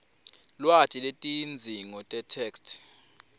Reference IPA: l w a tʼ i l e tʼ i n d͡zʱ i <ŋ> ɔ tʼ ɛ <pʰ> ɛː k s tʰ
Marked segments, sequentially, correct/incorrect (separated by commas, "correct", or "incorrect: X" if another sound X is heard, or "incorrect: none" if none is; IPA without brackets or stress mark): correct, incorrect: tʰ